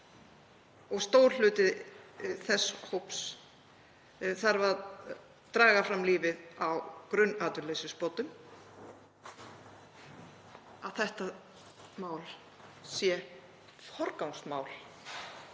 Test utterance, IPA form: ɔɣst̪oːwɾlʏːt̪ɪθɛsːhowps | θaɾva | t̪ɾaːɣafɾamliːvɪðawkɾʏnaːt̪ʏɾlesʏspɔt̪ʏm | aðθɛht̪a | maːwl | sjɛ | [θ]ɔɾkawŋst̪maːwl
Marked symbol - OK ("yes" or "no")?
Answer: no